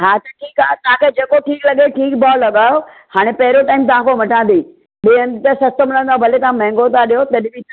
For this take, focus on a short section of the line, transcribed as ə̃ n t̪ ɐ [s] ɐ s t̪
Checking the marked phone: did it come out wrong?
no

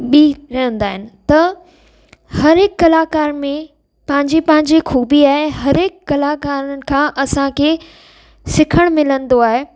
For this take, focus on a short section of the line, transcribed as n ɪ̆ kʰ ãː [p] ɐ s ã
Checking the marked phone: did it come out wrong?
yes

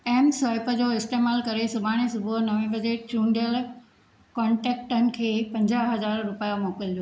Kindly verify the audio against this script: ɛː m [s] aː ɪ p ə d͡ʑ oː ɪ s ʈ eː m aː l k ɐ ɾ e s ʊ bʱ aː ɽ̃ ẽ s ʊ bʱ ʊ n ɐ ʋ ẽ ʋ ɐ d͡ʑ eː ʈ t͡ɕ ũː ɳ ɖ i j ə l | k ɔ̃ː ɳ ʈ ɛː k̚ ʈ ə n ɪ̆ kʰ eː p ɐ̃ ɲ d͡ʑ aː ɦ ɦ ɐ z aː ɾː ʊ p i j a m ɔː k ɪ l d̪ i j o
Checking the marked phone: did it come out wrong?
no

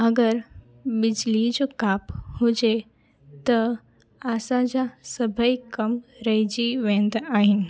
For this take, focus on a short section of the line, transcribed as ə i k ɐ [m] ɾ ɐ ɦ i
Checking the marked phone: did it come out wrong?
no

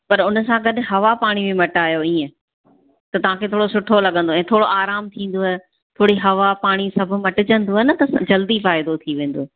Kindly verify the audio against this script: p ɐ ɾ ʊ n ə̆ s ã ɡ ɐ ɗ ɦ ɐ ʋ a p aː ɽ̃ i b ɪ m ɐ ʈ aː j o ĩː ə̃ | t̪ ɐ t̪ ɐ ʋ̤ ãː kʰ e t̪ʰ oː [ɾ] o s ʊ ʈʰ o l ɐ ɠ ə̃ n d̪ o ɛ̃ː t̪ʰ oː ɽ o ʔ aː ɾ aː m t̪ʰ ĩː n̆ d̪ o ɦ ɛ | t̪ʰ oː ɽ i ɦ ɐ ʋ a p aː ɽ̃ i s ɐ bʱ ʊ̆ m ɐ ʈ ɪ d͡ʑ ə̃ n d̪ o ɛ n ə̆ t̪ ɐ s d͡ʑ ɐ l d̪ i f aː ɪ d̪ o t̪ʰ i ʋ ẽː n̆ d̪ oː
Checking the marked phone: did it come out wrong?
yes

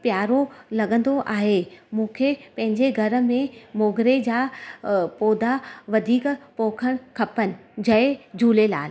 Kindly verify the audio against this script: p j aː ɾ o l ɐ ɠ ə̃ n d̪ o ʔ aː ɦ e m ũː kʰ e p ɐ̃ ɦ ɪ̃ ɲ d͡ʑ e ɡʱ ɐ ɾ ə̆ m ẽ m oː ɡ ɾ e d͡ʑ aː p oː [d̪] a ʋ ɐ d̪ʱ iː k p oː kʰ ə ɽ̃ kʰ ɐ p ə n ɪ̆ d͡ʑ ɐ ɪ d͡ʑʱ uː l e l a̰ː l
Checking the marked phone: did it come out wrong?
no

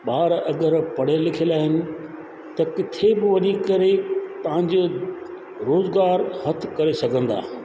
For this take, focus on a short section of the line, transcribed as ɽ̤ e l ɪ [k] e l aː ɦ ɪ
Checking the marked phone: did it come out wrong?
yes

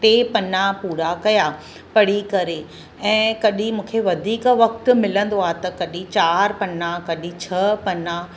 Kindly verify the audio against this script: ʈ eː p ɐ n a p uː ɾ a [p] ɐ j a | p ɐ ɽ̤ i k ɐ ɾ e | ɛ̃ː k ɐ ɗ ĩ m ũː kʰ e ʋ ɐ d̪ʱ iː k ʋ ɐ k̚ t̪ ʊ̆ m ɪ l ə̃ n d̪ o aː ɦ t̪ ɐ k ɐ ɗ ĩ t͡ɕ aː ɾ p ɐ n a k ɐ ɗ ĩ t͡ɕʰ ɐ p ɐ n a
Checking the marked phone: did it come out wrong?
yes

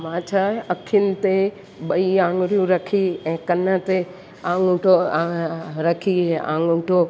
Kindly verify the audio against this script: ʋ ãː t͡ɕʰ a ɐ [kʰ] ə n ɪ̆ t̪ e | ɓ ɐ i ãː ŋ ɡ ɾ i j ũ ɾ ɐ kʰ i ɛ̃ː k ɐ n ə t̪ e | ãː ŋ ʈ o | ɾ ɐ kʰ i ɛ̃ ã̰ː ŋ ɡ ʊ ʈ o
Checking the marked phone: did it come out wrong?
no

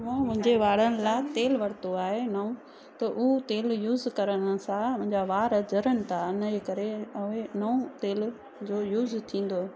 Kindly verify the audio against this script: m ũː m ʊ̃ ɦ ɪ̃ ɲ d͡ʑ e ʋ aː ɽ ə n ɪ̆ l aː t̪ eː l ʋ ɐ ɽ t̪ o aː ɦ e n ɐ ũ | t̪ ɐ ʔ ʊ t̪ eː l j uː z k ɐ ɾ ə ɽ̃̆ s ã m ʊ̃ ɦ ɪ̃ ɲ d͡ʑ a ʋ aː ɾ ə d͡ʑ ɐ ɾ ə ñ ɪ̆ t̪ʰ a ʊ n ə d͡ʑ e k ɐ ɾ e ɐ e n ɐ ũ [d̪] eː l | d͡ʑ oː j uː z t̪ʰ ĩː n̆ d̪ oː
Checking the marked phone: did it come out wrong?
yes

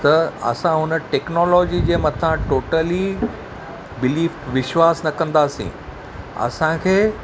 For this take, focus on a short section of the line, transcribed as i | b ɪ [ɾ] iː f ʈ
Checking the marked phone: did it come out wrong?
yes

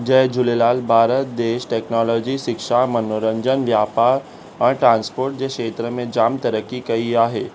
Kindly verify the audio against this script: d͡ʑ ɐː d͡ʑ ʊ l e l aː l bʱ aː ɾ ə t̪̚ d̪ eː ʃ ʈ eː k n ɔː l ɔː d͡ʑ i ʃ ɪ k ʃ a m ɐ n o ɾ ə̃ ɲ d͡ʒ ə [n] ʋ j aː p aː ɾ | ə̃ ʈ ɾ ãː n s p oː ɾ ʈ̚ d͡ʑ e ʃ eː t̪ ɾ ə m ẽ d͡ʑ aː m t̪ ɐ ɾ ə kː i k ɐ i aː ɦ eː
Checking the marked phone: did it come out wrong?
no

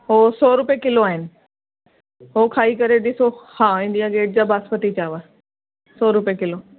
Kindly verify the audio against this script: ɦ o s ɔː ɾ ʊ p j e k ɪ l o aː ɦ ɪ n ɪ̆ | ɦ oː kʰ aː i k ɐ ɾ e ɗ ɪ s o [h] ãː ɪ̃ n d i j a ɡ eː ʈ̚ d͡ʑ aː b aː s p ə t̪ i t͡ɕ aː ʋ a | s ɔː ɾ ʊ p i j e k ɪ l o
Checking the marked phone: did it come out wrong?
no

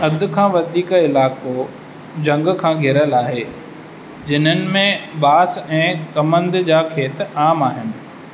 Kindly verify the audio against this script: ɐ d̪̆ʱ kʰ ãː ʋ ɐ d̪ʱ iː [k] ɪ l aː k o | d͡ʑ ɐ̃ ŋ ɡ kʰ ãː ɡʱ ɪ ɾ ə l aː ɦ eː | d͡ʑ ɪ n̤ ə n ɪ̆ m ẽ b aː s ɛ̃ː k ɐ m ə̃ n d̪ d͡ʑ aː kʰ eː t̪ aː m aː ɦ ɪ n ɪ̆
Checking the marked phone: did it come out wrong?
no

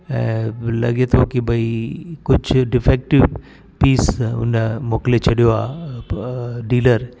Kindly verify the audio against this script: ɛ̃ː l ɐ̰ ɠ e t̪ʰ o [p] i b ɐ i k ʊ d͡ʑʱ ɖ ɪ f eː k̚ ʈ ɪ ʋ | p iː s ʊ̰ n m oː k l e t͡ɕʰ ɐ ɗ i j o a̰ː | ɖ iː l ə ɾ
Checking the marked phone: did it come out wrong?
yes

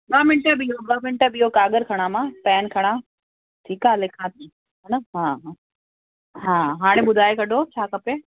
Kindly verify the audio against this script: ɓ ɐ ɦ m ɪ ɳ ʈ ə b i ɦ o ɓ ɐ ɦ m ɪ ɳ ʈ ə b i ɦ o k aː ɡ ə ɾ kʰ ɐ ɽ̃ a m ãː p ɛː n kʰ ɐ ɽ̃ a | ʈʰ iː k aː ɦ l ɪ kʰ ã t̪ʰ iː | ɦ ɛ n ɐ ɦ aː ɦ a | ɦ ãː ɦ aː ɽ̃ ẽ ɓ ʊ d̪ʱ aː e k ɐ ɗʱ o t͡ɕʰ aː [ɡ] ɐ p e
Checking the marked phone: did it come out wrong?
yes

